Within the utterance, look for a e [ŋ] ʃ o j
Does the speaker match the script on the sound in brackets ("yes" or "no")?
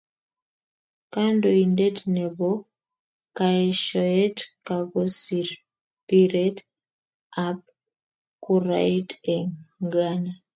no